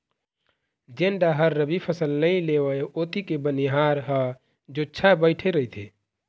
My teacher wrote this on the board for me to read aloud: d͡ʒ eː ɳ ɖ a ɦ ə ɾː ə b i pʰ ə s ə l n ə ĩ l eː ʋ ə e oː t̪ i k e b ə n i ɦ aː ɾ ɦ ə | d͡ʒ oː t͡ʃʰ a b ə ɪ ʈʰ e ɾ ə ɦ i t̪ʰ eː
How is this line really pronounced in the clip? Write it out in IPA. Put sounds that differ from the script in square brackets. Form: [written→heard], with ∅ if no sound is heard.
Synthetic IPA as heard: d͡ʒ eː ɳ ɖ a ɦ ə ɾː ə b i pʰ ə s ə l n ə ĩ l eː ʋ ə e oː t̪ i k e b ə n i ɦ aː ɾ ɦ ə | d͡ʒ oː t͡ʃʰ a b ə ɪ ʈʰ e ɾ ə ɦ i t̪ʰ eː